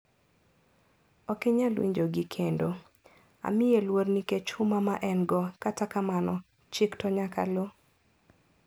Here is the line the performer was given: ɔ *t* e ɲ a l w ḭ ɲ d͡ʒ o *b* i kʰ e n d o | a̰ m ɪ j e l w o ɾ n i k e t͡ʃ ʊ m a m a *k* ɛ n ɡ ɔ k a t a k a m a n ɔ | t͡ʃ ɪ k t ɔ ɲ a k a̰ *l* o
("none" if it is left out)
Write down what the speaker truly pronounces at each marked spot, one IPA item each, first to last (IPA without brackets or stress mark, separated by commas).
k, ɡ, ʔ, l